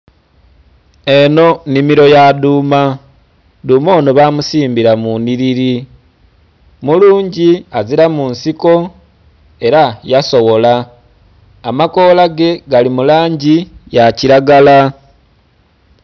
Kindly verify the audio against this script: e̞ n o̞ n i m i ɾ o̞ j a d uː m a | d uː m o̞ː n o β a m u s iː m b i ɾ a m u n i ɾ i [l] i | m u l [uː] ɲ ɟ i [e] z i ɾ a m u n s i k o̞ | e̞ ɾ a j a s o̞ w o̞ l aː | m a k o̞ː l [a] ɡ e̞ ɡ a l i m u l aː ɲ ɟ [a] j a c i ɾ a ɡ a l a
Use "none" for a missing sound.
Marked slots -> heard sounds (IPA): ɾ, uː, a, a, i

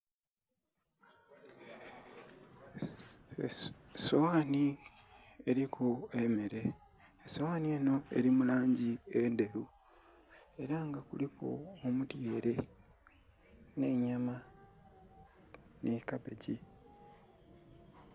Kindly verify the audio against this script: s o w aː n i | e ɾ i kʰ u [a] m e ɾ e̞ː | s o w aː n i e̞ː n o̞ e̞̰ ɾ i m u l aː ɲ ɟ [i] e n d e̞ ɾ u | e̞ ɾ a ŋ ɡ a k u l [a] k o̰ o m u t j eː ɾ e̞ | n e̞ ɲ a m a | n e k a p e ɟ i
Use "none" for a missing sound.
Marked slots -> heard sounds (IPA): e, i, i

